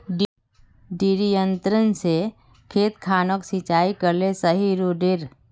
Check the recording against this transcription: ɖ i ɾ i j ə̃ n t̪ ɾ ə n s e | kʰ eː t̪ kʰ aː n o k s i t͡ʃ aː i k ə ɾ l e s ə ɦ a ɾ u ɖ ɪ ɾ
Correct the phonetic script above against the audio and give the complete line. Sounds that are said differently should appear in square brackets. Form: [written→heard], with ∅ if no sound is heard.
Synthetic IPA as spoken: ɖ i ɾ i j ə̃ n t̪ ɾ ə n s e | kʰ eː t̪ kʰ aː n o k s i t͡ʃ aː i k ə ɾ l e s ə ɦ [a→i] ɾ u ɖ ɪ ɾ